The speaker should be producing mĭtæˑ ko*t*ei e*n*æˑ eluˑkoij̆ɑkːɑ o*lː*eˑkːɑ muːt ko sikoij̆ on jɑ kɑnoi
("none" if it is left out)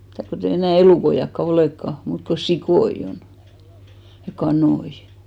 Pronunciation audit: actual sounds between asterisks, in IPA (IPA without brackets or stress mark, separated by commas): t, n, l